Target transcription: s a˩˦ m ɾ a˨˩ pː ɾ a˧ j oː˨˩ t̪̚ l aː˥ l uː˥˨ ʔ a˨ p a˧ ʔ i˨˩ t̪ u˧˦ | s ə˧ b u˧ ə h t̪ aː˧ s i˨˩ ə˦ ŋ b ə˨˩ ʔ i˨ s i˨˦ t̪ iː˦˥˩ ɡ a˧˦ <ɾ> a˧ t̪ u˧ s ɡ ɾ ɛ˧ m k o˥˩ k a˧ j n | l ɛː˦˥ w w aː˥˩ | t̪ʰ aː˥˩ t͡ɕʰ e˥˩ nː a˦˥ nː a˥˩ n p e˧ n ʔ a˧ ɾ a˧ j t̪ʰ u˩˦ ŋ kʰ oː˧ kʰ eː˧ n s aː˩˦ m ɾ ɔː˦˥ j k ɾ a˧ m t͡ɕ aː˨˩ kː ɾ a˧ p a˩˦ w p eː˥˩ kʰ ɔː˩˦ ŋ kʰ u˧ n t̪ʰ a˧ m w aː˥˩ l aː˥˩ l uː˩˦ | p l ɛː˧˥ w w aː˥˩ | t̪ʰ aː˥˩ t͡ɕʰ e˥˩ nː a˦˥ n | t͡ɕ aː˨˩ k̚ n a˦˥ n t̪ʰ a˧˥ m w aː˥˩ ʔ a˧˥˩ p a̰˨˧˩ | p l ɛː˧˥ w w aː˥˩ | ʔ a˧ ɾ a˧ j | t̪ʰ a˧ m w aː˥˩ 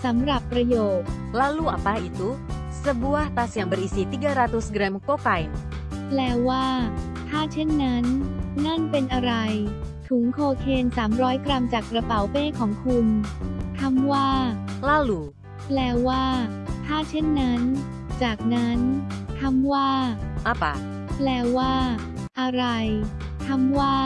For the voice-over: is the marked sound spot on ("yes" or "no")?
yes